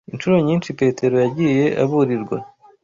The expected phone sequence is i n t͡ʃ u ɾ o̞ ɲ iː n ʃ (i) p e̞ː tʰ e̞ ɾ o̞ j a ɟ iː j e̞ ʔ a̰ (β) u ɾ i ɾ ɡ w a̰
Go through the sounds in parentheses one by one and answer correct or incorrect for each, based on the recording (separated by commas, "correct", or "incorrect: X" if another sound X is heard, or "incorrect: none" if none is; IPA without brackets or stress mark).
correct, correct